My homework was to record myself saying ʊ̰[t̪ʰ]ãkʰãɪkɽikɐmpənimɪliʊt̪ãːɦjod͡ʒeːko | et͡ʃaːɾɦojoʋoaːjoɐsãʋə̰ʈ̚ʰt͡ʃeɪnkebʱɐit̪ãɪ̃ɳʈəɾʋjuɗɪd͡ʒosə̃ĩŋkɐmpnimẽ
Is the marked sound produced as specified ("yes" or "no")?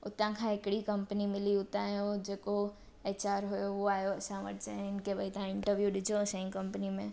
no